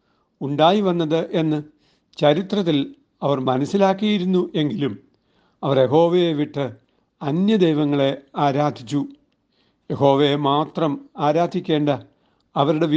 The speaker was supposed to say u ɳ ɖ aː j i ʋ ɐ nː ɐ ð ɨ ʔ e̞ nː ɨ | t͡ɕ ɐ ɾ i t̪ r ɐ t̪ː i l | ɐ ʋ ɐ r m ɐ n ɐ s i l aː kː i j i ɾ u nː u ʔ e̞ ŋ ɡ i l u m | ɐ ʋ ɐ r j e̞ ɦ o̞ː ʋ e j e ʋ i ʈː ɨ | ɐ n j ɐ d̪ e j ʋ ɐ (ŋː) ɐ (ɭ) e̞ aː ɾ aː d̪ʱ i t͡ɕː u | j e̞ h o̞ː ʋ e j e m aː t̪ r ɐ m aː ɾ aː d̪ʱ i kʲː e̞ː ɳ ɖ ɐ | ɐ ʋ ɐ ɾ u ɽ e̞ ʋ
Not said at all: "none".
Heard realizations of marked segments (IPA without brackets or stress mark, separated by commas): ŋː, ɭ